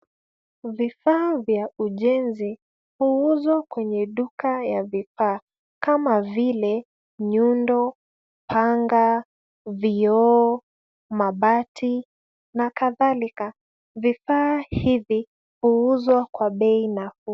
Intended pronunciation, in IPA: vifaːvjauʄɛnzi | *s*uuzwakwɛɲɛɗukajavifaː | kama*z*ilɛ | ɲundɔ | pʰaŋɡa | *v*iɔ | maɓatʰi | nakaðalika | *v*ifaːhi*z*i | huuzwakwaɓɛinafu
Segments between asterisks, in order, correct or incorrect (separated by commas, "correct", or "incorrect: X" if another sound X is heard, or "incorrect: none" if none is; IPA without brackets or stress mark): incorrect: h, incorrect: v, correct, correct, incorrect: v